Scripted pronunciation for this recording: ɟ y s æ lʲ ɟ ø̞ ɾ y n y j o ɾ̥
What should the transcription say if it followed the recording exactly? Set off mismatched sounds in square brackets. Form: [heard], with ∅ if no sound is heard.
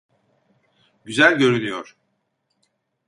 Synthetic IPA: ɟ y [z] æ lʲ ɟ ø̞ ɾ y n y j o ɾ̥